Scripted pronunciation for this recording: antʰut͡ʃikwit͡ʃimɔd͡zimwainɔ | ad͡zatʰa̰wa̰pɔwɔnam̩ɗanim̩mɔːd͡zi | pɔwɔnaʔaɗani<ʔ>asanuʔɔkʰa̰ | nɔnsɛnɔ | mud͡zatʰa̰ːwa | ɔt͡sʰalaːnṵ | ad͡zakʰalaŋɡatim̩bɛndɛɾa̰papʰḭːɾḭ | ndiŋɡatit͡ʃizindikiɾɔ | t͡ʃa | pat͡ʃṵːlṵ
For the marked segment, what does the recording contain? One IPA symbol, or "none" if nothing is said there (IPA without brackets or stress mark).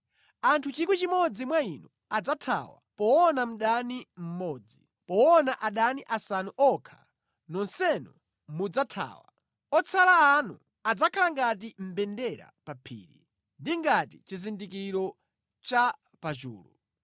ʔ